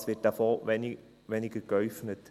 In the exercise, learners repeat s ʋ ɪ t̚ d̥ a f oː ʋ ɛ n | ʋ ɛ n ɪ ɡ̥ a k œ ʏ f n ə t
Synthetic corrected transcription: s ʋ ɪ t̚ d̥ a f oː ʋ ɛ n | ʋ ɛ n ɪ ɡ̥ ə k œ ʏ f n ə t

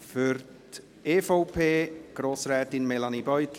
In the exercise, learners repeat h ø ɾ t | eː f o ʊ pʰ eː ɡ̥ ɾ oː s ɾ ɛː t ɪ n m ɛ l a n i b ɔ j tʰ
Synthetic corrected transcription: f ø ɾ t | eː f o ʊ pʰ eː ɡ̥ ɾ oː s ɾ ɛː t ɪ n m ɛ l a n i b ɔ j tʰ

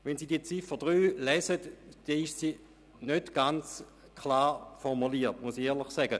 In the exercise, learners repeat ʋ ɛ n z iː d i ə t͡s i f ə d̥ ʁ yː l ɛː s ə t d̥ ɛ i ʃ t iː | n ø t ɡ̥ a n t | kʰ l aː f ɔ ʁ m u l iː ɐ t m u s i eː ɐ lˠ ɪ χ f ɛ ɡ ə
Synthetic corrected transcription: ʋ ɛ n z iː d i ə t͡s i f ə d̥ ʁ yː l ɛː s ə t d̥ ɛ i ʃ s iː | n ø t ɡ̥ a n t͡s | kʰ l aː f ɔ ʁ m u l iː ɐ t m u s i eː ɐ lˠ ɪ χ s ɛ ɡ ə

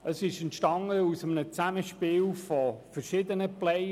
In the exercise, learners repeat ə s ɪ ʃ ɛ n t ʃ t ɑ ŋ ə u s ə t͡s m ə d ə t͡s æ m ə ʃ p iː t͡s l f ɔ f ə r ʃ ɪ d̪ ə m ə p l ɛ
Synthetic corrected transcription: ə s ɪ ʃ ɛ n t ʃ t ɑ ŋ ə u s ə m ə n ə t͡s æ m ə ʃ p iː l f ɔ f ə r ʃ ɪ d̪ ə n ə p l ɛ

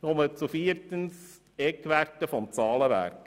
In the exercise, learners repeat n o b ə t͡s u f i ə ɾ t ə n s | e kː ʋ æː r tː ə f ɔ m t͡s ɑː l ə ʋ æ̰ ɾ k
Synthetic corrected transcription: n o m ə t͡s u f i ə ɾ t ə n s | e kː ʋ æ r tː ə f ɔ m t͡s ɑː l ə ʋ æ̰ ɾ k

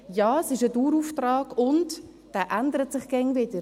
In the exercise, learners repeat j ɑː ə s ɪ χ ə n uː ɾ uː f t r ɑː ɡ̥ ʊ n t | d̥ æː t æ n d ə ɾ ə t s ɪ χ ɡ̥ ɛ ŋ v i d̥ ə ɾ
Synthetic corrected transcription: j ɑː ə s ɪ ʃ ə d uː ɾ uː f t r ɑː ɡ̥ ʊ n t | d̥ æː ʔ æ n d ə ɾ ə t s ɪ χ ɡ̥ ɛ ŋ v ɪ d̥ ə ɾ

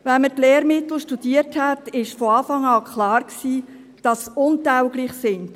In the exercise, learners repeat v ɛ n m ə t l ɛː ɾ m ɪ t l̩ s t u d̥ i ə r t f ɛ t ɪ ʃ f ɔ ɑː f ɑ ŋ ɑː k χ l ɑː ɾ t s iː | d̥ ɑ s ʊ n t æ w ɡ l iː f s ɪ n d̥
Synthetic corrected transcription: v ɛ n m ə t l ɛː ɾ m ɪ t l̩ ʃ t u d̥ i ə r t h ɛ t ɪ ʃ f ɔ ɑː f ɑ ŋ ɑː k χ l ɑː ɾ k s iː | d̥ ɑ s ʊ n t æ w ɡ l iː χ s ɪ n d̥

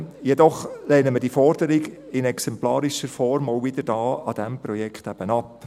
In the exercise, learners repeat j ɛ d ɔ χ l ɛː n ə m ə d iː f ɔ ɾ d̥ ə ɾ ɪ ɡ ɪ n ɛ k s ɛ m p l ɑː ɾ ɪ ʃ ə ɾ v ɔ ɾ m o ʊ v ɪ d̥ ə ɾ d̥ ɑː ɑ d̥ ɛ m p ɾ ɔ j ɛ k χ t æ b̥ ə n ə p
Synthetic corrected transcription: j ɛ d ɔ χ l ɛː n ə m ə d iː f ɔ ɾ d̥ ə ɾ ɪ ɡ ɪ n ɛ k s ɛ m p l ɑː ɾ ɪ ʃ ə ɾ f ɔ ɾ m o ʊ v ɪ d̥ ə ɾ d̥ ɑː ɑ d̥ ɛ m p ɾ ɔ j ɛ k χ t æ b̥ ə n ɑ p

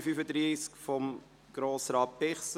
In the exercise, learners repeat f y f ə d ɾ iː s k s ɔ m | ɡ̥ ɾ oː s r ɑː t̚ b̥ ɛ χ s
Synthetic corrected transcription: f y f ə d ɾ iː s k f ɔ m | ɡ̥ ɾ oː s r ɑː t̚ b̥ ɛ χ s

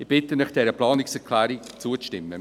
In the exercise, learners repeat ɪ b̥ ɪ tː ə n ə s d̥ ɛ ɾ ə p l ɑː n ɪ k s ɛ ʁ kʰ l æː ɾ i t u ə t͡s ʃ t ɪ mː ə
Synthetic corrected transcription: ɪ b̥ ɪ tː ə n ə χ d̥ ɛ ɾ ə p l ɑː n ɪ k s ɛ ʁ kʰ l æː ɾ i t͡s u ə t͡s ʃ t ɪ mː ə

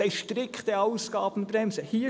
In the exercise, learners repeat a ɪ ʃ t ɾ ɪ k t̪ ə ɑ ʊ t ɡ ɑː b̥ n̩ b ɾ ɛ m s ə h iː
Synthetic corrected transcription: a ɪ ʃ t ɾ ɪ k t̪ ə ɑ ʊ s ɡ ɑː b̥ n̩ b ɾ ɛ m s ə h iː

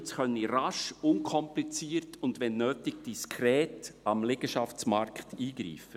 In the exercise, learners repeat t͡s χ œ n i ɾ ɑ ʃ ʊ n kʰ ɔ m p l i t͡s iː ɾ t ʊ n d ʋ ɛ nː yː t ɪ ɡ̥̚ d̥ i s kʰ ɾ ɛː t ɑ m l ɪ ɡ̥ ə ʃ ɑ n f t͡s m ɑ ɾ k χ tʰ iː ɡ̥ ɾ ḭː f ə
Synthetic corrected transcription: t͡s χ œ n i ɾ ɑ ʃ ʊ n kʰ ɔ m p l i t͡s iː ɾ t ʊ n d ʋ ɛ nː øː t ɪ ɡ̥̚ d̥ i s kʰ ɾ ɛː t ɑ m l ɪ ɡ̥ ə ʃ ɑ f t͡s m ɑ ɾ k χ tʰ iː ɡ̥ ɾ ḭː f ə

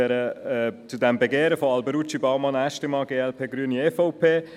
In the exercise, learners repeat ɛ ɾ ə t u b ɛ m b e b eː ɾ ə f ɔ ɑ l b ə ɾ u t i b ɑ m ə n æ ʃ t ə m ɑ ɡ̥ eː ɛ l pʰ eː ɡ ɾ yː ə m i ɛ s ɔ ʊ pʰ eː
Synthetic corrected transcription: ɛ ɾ ə t͡s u d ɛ m b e ɡ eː ɾ ə f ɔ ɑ l b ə ɾ u t͡ʃ i b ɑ m ɑ n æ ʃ t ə m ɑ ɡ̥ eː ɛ l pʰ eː ɡ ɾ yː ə n i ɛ f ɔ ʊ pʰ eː

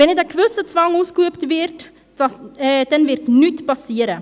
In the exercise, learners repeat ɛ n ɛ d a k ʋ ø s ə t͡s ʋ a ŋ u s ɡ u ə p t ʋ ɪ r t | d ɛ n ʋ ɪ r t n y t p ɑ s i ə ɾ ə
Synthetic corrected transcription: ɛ n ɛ d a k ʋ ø s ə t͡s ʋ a ŋ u s k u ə p t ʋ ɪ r t | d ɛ n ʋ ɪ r t n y t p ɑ s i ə ɾ ə

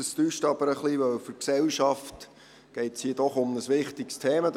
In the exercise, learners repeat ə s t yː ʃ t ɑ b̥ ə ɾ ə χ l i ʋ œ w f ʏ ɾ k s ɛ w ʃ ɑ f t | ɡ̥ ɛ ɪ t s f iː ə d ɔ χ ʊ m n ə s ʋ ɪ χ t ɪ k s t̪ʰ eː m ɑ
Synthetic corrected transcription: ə s t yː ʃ t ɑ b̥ ə ɾ ə χ l i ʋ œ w f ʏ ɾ k s ɛ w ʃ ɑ f t | ɡ̥ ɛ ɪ t s h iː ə d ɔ χ ʊ m n ə s ʋ ɪ χ t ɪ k s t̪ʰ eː m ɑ

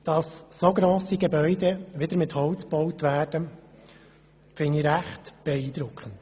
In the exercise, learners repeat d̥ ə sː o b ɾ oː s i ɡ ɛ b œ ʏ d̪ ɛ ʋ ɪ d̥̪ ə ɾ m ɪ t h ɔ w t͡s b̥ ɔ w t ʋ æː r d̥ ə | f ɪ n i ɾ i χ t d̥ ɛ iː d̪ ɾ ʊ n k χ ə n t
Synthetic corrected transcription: d̥ ɑ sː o ɡ ɾ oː s i ɡ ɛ b œ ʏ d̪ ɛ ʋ ɪ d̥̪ ə ɾ m ɪ t h ɔ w t͡s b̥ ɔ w t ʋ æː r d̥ ə | f ɪ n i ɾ æ χ t b̥ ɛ iː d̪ ɾ ʊ k χ ə n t

